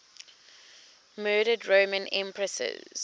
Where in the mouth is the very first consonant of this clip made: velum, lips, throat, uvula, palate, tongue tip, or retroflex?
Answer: lips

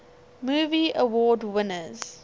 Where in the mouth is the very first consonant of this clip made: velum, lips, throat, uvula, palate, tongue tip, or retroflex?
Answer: lips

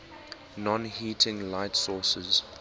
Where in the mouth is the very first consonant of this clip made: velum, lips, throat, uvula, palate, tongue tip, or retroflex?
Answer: tongue tip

